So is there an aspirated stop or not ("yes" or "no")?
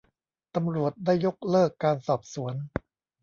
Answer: no